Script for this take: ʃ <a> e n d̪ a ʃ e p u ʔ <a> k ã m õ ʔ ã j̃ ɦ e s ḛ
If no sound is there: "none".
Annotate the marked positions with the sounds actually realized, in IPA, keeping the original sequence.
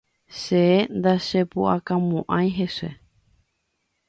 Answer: e, a

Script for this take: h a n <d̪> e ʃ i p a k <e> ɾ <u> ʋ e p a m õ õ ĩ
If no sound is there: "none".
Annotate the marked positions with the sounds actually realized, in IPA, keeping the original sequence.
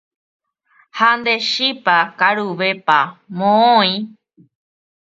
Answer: d̪, a, u

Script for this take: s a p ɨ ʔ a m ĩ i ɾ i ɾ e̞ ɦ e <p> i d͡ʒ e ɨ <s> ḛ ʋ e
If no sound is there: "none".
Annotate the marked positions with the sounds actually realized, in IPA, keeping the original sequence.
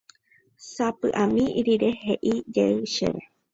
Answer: ʔ, ʃ

